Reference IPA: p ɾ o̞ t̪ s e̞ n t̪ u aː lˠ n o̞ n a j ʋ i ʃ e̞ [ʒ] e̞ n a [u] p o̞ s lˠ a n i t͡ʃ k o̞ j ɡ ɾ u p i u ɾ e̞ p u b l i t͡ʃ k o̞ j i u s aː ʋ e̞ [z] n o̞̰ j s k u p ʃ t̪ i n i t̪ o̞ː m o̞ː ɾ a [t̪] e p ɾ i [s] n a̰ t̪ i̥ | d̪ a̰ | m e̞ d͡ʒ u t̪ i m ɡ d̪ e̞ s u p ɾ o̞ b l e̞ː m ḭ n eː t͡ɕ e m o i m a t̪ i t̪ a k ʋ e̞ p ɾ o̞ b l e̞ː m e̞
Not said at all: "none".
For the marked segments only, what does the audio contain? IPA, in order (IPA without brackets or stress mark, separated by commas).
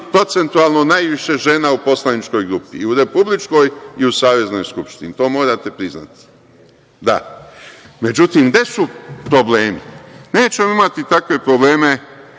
ʒ, u, z, t̪, z